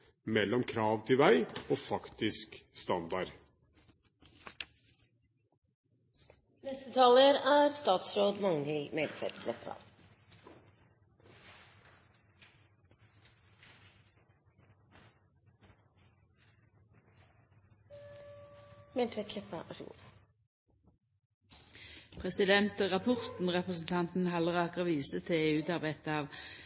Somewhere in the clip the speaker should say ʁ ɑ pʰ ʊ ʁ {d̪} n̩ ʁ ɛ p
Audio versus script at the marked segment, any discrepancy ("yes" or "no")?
yes